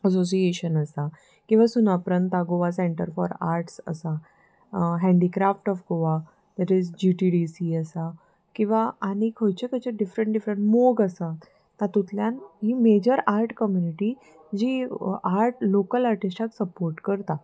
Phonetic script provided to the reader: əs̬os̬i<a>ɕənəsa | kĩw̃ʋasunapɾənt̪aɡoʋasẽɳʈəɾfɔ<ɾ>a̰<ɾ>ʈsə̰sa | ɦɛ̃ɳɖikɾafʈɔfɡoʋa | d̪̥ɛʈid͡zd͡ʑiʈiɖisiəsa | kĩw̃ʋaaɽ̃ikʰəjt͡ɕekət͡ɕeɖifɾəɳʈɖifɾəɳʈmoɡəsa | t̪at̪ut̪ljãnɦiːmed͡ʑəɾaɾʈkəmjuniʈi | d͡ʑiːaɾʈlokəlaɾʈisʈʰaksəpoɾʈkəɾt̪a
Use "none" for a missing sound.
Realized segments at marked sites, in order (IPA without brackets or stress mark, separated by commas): e, ɾ, ɾ